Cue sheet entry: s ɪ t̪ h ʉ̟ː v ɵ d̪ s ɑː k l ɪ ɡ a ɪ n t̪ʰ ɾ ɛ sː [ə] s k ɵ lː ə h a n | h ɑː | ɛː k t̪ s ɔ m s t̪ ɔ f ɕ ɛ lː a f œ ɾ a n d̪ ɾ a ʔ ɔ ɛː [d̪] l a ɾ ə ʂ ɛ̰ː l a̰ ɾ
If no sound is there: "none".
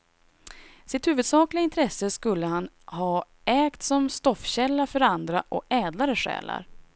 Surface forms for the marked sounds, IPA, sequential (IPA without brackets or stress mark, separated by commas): ə, d̪